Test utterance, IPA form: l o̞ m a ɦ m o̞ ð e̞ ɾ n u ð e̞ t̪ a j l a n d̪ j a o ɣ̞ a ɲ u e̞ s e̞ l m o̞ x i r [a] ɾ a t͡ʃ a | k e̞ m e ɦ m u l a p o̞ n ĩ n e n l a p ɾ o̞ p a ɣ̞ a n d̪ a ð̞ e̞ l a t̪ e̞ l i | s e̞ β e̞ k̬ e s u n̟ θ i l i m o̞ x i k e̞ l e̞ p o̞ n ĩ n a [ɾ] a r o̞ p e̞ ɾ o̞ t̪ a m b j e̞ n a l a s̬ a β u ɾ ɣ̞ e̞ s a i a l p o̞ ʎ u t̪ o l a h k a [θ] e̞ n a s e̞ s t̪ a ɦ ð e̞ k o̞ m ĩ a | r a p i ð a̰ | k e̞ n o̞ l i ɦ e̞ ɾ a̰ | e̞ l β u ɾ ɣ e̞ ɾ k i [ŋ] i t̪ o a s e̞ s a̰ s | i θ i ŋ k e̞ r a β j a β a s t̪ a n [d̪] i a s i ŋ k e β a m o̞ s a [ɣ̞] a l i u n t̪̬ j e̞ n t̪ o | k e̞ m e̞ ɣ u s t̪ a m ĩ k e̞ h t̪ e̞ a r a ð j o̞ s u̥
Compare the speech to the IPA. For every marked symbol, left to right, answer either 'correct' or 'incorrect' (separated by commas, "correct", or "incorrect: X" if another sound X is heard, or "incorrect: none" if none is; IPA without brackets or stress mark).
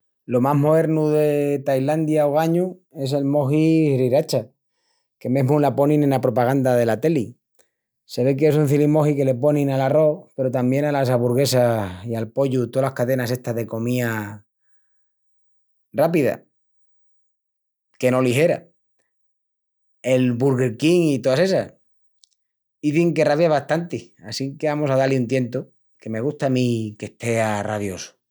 incorrect: i, incorrect: l, incorrect: ð, correct, incorrect: t̪, incorrect: ð̞